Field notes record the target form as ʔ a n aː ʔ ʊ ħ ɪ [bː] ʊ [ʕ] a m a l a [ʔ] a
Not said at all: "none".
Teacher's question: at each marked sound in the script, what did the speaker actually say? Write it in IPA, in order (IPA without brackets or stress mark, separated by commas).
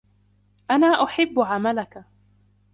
bː, ʕ, k